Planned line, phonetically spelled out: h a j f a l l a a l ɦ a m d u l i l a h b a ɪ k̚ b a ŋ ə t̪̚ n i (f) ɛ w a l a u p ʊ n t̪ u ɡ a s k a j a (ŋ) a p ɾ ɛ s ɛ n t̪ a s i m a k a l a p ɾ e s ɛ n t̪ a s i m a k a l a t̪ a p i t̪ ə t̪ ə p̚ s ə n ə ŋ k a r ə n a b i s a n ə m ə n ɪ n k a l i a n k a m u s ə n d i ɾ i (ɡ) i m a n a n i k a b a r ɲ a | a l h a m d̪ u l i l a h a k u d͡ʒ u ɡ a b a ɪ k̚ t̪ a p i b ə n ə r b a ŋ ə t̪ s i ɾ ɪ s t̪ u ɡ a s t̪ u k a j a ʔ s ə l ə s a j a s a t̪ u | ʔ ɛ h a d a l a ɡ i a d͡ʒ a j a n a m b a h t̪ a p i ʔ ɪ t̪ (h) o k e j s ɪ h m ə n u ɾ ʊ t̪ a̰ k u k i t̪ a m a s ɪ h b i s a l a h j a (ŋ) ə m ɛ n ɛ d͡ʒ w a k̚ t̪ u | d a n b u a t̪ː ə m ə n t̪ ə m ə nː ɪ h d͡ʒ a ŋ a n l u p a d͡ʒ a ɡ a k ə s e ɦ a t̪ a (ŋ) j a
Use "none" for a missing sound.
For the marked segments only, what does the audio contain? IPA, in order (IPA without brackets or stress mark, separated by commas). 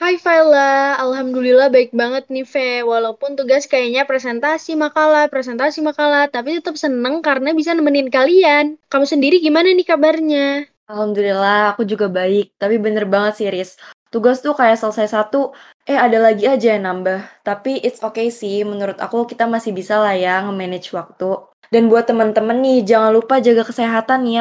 f, ɲ, ɡ, s, ŋ, n